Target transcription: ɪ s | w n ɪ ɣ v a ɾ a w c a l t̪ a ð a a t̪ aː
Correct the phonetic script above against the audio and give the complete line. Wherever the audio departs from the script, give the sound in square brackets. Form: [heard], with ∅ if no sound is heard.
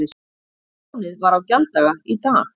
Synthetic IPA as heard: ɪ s | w n ɪ [ð] v a ɾ a w c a l t̪ a [ɣ] a [i] t̪ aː